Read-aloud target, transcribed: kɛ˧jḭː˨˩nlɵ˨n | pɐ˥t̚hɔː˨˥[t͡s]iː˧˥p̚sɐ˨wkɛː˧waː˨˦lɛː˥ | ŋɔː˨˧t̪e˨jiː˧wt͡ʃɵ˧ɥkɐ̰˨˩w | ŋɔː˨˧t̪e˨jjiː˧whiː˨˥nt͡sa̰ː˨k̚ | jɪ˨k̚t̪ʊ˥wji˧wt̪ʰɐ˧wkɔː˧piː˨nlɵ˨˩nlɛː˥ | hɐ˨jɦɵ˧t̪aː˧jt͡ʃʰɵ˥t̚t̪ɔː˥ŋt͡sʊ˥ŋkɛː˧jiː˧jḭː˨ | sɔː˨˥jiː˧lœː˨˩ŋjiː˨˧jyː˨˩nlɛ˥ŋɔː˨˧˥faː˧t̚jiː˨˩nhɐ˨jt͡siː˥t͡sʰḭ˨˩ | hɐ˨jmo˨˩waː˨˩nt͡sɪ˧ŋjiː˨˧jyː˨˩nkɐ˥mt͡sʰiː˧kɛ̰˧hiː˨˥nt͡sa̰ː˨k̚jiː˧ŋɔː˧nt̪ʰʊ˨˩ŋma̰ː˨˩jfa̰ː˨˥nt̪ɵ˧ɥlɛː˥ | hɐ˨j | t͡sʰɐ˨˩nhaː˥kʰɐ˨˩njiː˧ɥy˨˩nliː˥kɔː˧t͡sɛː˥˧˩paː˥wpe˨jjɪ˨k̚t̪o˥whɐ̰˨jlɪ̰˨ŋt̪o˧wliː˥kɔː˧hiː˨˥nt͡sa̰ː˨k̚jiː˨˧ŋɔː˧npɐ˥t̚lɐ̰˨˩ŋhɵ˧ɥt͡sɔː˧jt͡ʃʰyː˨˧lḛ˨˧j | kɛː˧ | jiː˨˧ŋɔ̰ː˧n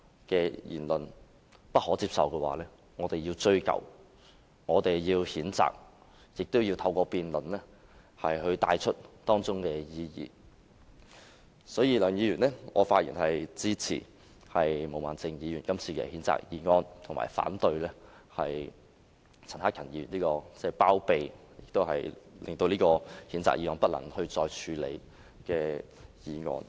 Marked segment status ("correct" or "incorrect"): correct